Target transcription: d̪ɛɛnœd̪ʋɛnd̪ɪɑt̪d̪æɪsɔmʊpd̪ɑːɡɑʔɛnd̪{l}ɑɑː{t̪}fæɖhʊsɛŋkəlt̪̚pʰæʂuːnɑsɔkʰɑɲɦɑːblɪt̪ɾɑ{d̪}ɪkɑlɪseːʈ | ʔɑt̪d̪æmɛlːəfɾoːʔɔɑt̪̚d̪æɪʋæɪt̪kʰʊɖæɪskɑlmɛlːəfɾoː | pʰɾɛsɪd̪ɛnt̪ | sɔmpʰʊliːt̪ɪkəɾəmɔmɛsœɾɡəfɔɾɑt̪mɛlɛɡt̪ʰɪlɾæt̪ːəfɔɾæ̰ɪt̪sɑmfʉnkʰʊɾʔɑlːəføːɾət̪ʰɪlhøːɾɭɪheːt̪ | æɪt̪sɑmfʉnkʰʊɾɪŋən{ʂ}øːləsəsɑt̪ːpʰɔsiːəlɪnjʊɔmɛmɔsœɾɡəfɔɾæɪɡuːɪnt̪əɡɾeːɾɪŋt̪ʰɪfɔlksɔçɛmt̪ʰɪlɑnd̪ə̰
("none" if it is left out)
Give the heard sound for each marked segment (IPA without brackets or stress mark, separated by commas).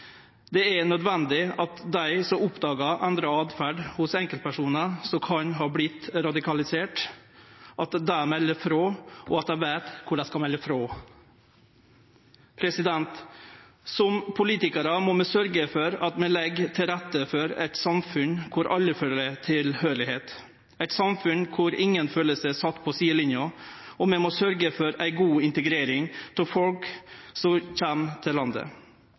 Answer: ɾ, d̪, d̪, f